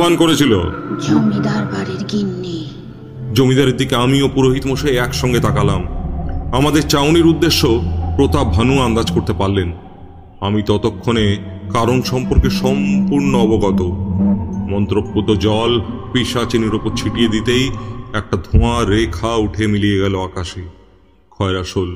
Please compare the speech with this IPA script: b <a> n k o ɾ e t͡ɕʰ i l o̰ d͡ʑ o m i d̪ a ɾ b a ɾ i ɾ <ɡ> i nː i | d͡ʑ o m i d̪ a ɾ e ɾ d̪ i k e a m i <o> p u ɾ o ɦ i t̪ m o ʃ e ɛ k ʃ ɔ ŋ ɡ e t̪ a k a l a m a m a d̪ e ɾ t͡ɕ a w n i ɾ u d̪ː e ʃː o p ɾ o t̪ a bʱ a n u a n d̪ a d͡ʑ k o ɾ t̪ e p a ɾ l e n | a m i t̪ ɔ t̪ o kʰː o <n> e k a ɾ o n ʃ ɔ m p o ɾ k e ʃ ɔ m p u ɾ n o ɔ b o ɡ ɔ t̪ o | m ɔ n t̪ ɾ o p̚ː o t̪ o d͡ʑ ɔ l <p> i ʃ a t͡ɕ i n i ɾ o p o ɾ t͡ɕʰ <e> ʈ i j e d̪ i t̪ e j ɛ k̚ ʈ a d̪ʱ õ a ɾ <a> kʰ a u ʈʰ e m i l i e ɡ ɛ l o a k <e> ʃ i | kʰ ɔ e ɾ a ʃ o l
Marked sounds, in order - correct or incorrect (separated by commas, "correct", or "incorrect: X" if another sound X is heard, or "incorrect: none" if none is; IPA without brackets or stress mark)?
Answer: correct, correct, correct, correct, correct, incorrect: i, incorrect: e, incorrect: a